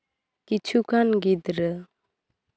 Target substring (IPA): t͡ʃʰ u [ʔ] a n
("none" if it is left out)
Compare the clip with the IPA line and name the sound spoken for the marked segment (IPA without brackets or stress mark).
k